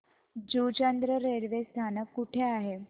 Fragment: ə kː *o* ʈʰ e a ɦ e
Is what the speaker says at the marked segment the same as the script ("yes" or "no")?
no